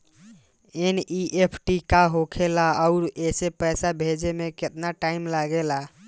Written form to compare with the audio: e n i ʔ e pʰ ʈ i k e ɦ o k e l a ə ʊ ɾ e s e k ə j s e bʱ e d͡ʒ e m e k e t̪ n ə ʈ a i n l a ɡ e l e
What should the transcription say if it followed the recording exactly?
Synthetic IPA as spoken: e n i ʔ e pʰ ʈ i k a ɦ o kʰ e l a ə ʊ ɾ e s e p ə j s a bʱ e d͡ʒ e m e k e t̪ n a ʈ a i m l a ɡ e l a